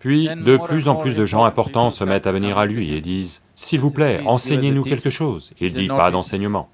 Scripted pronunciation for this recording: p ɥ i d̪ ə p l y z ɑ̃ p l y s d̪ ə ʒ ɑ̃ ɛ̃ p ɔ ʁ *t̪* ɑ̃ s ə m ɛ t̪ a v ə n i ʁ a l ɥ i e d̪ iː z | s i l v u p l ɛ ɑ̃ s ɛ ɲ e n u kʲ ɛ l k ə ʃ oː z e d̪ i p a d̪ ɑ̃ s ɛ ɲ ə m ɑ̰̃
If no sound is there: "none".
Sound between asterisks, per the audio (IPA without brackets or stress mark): t̪